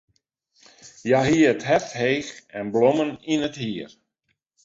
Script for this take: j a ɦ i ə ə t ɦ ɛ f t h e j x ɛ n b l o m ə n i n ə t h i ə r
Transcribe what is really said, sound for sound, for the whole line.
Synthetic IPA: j a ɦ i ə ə t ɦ ɛ f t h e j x ɛ n b l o m ə n i n ə t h i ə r